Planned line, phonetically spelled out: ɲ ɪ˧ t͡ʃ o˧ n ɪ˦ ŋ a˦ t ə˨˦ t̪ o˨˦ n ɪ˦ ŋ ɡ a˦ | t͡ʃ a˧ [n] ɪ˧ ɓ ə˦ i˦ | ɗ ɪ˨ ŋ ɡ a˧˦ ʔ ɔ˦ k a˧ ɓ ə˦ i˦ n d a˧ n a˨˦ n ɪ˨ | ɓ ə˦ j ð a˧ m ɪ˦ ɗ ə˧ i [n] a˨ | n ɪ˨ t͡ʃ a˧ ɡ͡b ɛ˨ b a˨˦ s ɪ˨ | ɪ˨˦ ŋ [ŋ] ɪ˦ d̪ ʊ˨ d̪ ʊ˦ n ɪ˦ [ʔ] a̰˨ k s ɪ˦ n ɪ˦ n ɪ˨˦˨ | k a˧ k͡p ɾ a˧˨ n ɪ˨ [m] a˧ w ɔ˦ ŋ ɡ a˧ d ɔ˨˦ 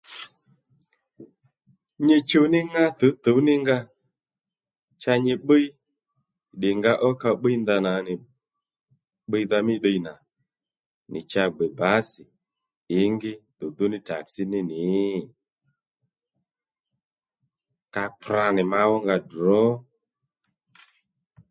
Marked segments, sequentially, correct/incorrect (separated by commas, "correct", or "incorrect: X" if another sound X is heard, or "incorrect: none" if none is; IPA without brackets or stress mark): incorrect: ɲ, correct, incorrect: ɡ, incorrect: t, correct